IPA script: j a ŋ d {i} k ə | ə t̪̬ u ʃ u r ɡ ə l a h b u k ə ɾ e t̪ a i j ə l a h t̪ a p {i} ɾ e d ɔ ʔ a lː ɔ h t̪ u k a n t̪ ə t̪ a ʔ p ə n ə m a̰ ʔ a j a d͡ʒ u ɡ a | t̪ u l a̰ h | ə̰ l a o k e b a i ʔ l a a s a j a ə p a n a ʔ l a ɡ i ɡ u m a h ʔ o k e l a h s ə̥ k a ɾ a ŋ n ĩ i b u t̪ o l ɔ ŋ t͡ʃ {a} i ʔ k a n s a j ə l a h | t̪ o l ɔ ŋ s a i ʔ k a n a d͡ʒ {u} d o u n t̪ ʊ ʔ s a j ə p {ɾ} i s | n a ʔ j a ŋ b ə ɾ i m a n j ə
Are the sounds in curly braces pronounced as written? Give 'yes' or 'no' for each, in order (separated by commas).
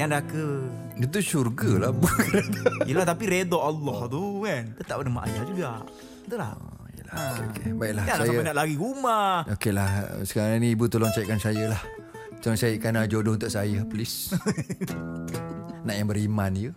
no, yes, yes, no, no